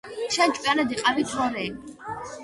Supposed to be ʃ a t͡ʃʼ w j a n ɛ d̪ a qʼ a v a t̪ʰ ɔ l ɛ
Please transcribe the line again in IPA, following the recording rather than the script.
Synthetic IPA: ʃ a t͡ʃʼ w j a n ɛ d̪ i qʼ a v i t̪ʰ ɔ ɾ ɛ